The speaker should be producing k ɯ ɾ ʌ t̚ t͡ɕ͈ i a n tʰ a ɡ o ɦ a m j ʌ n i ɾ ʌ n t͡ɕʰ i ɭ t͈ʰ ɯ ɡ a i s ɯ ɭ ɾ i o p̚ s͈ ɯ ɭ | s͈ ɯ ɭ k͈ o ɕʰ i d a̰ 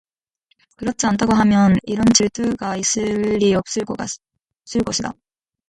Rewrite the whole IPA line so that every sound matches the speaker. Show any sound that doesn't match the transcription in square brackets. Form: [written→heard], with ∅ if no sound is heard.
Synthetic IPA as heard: k ɯ ɾ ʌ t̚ t͡ɕ͈ i a n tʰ a ɡ o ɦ a m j ʌ n i ɾ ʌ n [t͡ɕʰ→t͡ɕ] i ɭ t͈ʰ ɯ ɡ a i s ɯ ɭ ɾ i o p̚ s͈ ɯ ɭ | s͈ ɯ ɭ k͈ o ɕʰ i d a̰